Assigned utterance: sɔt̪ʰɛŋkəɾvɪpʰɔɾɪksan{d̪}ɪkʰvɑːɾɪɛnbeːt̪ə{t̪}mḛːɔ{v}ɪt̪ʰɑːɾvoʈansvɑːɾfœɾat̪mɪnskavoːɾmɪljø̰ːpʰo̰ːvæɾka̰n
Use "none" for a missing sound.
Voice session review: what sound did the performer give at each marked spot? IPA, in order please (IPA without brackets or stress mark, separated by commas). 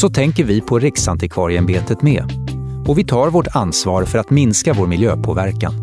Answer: t̪, t̪, v